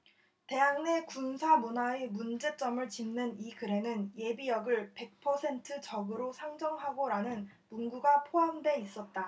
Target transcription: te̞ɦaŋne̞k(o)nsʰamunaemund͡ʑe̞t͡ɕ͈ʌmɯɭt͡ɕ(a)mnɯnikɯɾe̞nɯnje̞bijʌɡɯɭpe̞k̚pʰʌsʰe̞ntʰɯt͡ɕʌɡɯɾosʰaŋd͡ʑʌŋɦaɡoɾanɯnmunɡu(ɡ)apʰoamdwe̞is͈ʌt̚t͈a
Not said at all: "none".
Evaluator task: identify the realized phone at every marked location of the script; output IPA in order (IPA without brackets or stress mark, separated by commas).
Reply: u, i, ɡ